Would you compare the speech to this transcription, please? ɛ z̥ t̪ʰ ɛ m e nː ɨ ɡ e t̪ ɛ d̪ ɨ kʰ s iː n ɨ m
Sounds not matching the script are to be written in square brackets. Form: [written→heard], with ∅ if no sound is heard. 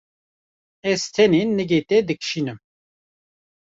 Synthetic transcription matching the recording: ɛ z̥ t̪ʰ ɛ [m→n] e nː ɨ ɡ e t̪ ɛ d̪ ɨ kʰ [s→ʃ] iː n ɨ m